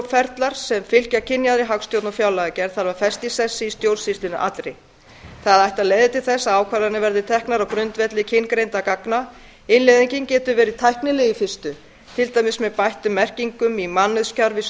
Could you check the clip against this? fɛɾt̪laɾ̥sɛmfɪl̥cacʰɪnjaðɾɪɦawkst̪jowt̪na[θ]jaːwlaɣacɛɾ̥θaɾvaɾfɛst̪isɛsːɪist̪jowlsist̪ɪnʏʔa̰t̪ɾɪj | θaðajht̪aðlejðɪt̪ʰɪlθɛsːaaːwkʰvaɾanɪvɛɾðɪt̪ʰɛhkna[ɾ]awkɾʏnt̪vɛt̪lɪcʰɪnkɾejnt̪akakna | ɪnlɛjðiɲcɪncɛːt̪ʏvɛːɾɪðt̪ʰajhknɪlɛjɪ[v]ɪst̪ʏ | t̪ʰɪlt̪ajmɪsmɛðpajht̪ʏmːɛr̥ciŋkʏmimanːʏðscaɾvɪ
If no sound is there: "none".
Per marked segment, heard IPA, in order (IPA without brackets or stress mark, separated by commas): f, ɾ, f